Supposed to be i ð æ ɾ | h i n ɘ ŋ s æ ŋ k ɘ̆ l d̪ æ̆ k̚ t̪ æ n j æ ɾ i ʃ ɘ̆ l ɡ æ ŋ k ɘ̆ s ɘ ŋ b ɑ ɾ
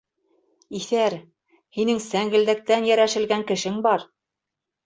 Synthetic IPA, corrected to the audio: i θ æ ɾ | h i n ɘ ŋ s æ ŋ ɡ ɘ̆ l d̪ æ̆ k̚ t̪ æ n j æ ɾ æ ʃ ɘ̆ l ɡ æ ŋ k ɘ̆ ʃ ɘ ŋ b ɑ ɾ